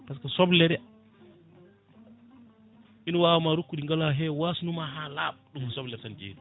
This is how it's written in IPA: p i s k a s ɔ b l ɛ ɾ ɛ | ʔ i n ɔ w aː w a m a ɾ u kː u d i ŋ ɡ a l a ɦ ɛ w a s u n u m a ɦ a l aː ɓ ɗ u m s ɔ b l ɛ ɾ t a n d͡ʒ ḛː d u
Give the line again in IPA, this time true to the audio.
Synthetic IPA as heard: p a s k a s ɔ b l ɛ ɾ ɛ | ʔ i n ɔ w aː w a m a ɾ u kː u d i ŋ ɡ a l a ɦ ɛ w a s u n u m a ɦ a l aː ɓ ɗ u m s ɔ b l ɛ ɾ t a n d͡ʒ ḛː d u

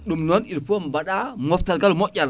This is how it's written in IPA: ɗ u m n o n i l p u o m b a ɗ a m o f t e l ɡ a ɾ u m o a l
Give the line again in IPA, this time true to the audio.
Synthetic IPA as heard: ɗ u m n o n i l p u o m b a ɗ a m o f t a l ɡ a l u m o a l

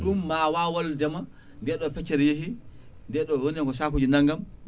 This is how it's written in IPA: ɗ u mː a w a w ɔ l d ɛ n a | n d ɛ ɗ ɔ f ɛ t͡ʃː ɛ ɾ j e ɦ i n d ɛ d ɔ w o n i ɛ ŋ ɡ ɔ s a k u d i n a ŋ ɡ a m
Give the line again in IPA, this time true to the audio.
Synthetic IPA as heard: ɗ u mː a w a w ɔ l d ɛ m a | n d ɛ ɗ ɔ f ɛ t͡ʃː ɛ ɾ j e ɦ i n d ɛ ɗ ɔ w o n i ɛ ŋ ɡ ɔ s a k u d͡ʒ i n a ŋ ɡ a m

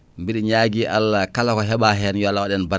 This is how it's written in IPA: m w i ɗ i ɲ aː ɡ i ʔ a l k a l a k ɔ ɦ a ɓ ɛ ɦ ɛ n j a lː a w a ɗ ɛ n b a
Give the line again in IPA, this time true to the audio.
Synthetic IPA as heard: m b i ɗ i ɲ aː ɡ i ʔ a l k a l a k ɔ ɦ ɛ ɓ a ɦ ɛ n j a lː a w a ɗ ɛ n b a

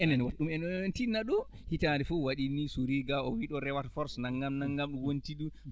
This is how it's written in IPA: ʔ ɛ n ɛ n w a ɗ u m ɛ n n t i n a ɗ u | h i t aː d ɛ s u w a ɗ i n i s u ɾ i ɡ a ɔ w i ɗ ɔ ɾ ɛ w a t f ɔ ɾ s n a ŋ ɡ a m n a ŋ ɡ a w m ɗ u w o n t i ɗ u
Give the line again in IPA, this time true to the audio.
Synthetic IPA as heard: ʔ ɛ n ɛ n w a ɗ u m ɛ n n t i n a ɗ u | h i t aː d ɛ f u w a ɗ i n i s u ɾ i ɡ a ɔ w i ɗ ɔ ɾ ɛ w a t f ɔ ɾ s n a ŋ ɡ a m n a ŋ ɡ a m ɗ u w o n t i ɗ u

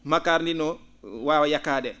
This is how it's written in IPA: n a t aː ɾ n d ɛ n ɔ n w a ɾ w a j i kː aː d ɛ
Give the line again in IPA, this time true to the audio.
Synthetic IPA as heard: m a k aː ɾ n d i n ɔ w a w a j a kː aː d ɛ

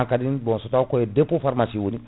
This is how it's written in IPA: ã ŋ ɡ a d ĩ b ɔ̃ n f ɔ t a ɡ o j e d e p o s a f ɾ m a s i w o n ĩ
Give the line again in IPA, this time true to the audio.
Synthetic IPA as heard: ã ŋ k a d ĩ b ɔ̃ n s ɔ t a k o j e d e p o f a ɾ m a s i w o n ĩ

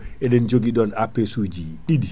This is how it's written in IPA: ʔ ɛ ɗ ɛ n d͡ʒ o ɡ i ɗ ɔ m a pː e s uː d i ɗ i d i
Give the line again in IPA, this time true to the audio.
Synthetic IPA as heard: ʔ ɛ ɗ ɛ n d͡ʒ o ɡ i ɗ ɔ n a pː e s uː d͡ʒ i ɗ i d i

